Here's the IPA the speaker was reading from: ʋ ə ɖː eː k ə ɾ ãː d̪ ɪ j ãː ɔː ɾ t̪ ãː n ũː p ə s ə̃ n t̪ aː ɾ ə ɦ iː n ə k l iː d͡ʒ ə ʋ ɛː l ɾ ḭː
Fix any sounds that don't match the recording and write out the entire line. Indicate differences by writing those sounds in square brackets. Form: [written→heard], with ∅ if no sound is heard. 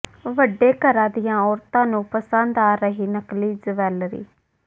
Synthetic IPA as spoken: ʋ ə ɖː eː k ə ɾ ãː d̪ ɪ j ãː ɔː ɾ t̪ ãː n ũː p ə s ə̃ n [t̪→d̪] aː ɾ ə ɦ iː n ə k l iː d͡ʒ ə ʋ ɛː l ɾ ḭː